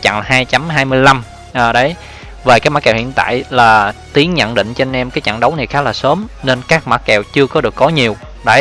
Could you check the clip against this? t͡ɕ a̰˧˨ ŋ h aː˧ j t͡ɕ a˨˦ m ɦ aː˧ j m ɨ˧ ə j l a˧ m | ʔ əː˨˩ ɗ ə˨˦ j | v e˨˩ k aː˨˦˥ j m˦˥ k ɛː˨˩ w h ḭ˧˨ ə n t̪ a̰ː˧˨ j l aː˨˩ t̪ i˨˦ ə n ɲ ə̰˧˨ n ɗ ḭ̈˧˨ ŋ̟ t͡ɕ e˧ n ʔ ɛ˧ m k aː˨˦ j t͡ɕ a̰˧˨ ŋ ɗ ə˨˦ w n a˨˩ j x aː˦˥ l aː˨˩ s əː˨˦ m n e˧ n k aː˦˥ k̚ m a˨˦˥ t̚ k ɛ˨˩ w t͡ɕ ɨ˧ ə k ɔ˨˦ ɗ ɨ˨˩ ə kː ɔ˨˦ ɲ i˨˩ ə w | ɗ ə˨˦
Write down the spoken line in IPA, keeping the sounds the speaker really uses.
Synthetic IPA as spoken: t͡ɕ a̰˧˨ ŋ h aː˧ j t͡ɕ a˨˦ m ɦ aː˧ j m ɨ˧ ə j l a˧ m | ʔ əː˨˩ ɗ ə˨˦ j | v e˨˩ k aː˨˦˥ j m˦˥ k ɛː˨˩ w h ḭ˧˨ ə n t̪ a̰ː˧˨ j l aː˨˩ t̪ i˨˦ ə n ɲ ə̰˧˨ n ɗ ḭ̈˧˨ ŋ̟ t͡ɕ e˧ n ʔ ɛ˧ m k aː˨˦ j t͡ɕ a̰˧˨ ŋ ɗ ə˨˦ w n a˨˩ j x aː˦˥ l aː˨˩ s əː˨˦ m n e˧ n k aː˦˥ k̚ m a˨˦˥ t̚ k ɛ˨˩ w t͡ɕ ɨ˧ ə k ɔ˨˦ ɗ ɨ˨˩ ə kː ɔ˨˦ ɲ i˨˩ ə w | ɗ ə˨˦